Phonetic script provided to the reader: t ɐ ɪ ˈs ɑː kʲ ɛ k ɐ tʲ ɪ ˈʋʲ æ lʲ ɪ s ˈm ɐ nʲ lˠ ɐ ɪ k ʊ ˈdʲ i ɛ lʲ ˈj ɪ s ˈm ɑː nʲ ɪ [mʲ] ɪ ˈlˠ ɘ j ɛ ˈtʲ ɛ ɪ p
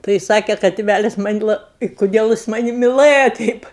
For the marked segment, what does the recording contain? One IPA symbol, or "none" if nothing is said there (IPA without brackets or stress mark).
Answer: mʲ